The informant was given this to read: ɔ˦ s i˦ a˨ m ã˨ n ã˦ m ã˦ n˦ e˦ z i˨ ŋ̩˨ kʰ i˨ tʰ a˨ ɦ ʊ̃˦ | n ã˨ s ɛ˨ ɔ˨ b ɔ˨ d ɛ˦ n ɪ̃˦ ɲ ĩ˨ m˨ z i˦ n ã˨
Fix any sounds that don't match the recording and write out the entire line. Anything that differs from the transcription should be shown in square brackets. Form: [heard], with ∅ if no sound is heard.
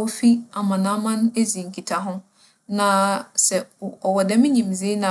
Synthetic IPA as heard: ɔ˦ [f] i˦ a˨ m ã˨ n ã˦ m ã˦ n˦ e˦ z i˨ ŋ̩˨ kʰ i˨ tʰ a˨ ɦ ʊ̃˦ | n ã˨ s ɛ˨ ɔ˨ [w] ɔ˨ d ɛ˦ [m] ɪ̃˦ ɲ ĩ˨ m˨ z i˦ n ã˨